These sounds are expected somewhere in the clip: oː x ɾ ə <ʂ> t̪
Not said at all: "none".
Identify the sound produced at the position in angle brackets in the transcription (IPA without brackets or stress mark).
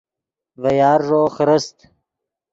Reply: s